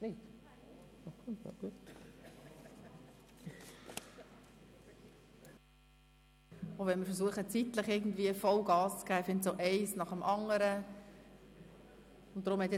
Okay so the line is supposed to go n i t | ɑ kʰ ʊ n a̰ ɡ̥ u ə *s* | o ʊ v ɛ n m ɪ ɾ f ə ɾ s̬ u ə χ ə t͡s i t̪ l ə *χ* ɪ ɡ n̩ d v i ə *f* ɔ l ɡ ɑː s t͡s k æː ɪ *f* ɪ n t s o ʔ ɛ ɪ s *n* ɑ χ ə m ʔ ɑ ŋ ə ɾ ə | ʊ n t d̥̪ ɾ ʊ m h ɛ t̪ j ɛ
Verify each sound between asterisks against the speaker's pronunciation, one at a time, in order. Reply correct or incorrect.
incorrect, correct, correct, correct, correct

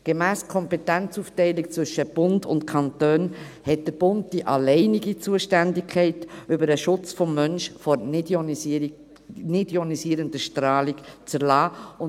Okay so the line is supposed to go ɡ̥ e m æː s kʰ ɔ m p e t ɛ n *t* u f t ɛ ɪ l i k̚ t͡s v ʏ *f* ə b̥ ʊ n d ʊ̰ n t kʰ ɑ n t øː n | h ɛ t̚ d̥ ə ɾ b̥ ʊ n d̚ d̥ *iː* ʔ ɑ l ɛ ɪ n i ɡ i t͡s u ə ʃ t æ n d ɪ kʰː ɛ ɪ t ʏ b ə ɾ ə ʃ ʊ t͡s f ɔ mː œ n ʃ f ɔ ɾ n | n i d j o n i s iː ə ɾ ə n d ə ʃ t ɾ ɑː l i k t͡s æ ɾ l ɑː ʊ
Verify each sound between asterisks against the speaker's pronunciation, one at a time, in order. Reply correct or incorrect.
incorrect, incorrect, incorrect

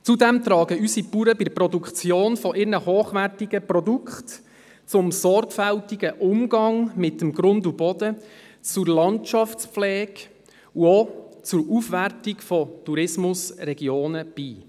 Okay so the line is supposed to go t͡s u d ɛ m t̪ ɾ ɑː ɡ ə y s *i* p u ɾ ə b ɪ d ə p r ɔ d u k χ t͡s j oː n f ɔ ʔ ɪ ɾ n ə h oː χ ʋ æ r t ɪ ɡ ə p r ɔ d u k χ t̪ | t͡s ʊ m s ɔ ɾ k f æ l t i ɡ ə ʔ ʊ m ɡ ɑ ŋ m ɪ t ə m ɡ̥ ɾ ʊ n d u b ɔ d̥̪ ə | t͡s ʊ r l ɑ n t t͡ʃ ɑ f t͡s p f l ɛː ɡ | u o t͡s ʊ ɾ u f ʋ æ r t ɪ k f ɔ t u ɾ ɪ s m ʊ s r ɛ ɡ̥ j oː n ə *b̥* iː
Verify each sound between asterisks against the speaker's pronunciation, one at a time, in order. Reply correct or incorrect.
correct, correct

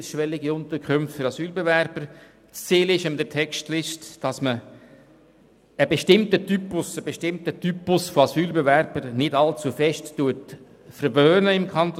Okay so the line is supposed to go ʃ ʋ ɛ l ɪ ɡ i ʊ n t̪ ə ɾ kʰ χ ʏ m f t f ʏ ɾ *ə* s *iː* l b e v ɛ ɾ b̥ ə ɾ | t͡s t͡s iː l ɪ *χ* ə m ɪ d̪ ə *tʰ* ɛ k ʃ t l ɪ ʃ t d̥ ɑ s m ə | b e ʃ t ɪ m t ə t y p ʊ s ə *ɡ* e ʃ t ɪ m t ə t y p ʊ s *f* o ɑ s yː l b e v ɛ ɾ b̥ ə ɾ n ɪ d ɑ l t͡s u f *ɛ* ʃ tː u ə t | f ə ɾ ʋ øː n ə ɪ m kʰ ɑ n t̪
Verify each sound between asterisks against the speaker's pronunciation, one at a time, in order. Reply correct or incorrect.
incorrect, incorrect, incorrect, correct, incorrect, correct, correct

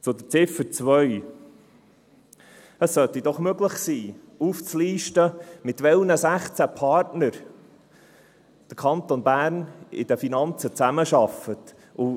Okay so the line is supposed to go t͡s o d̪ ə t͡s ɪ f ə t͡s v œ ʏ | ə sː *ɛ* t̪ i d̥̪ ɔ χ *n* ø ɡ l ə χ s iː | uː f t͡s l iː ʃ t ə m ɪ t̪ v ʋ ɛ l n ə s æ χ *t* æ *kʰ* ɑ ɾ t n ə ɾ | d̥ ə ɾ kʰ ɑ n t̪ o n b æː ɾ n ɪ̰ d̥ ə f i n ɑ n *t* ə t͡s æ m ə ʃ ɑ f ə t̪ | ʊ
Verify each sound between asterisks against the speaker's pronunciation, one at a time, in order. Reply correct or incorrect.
incorrect, incorrect, incorrect, incorrect, incorrect

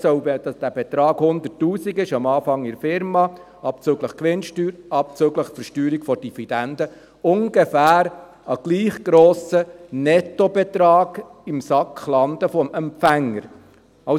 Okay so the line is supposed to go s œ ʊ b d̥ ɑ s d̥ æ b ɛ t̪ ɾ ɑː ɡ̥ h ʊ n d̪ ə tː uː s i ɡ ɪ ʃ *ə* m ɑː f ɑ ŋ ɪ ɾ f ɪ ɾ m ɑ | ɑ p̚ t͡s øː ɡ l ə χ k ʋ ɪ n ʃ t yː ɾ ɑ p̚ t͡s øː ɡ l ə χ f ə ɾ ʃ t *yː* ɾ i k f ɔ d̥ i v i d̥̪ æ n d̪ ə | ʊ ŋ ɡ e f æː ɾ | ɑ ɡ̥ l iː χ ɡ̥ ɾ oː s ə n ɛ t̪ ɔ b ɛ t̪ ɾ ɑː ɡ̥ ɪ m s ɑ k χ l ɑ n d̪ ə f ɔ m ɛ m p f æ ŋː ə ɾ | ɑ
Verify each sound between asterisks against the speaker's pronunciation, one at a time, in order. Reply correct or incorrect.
incorrect, correct

